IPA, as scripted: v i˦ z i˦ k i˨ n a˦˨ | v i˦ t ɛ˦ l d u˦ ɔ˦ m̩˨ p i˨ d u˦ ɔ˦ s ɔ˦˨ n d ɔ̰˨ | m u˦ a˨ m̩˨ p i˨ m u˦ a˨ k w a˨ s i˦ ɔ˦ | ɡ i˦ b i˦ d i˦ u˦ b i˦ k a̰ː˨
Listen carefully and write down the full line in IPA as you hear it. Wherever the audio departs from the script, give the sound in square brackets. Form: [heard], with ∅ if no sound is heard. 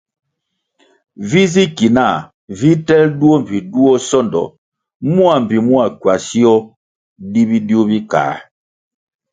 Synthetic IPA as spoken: v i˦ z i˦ k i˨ n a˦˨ | v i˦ t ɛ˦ l d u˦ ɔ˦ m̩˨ p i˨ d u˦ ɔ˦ s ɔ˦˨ n d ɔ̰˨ | m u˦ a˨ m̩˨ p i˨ m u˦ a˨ k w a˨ s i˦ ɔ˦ | [d] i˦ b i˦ d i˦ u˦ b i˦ k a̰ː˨